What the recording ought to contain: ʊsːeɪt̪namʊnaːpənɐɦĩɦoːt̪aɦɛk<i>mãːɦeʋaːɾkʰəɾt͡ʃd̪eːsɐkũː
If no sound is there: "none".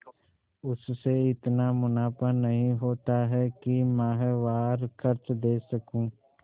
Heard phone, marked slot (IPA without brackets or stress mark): i